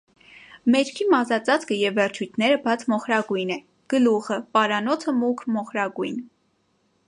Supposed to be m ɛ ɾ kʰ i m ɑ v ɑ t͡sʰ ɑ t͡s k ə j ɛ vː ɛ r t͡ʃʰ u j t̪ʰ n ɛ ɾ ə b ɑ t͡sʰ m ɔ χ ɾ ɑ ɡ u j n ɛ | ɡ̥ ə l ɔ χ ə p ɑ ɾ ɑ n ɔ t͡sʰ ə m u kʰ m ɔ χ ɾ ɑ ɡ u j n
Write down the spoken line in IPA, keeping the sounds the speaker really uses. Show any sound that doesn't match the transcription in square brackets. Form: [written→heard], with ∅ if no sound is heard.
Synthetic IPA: m ɛ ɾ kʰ i m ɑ [v→z] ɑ [t͡sʰ→t͡s] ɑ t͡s k ə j ɛ vː ɛ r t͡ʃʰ u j t̪ʰ n ɛ ɾ ə b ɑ t͡sʰ m ɔ χ ɾ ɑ ɡ u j n ɛ | ɡ̥ ə l [ɔ→u] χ ə p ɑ ɾ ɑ n ɔ t͡sʰ ə m u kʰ m ɔ χ ɾ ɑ ɡ u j n